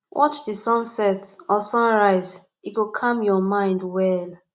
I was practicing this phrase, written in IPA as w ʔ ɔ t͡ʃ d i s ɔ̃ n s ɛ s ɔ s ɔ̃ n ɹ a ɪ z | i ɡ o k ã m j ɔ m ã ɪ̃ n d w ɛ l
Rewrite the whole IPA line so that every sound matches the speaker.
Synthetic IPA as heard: w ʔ ɔ t͡ʃ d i s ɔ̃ n s ɛ t ɔ s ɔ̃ n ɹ a ɪ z | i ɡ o kʰ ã m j ɔ m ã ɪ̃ n d w ɛ l